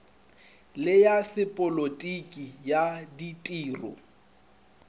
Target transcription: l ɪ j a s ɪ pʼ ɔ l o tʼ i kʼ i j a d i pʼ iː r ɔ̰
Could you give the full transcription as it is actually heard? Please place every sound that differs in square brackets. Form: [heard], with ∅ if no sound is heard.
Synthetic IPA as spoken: l ɪ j a s ɪ pʼ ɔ l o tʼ i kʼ i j a d i [tʼ] iː r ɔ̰

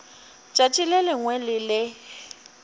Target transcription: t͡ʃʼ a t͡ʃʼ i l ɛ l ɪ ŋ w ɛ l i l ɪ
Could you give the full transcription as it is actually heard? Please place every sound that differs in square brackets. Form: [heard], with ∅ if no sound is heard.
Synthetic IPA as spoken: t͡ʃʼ a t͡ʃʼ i l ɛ l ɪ ŋ w ɛ l [ɪ] l ɪ

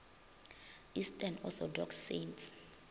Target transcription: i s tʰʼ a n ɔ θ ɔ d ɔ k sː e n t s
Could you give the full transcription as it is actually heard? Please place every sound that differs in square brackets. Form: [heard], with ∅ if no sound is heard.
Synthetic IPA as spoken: i s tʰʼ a n ɔ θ ɔ d ɔ k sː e n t s

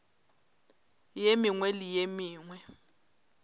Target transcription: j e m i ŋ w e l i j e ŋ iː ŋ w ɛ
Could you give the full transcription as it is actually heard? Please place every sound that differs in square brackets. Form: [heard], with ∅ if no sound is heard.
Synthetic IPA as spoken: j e m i ŋ w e l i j e [m] iː ŋ w ɛ

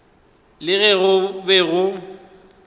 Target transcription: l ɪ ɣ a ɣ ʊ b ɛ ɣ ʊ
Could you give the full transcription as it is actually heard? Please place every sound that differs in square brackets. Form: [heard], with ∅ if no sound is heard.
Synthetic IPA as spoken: l ɪ ɣ [ɛ] ɣ ʊ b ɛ ɣ ʊ

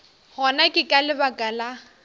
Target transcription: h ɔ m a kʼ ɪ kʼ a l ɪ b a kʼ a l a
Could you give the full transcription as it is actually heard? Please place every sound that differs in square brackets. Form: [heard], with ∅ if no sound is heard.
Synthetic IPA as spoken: h ɔ [n] a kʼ ɪ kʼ a l ɪ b a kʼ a l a

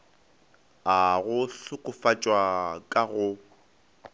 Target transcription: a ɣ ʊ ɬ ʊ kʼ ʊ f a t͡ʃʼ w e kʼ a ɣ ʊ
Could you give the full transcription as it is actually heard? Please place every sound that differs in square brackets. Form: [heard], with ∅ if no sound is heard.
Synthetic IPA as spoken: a ɣ ʊ ɬ ʊ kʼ ʊ f a t͡ʃʼ w [a] kʼ a ɣ ʊ

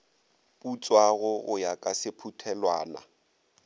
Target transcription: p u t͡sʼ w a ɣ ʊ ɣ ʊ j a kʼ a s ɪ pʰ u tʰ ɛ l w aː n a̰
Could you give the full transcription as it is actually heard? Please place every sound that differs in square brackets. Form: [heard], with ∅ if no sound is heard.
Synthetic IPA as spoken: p u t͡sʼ w a ɣ ʊ ɣ ʊ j a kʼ a s ɪ pʰ u tʰ ɛ l w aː n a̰

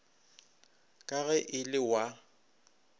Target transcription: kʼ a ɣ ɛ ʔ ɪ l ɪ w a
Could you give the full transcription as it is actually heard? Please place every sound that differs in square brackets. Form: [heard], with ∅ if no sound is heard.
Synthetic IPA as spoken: kʼ a ɣ ɛ ʔ ɪ l ɪ w a

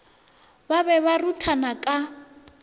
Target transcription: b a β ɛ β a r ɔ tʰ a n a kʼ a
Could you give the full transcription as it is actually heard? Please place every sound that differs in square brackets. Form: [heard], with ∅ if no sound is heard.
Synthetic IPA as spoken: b a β ɛ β a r [u] tʰ a n a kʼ a

